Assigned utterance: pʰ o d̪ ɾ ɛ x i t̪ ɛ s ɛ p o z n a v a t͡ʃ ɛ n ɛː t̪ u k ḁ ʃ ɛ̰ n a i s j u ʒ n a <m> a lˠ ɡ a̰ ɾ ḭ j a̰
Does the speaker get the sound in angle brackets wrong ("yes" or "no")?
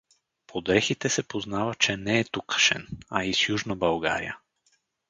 yes